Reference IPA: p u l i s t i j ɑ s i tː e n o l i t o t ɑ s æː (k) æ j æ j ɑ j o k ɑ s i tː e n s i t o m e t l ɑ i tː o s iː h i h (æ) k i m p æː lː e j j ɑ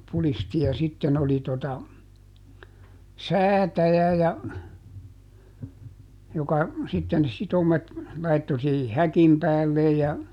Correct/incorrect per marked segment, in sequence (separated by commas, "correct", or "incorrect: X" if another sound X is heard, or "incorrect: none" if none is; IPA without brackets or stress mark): incorrect: t, correct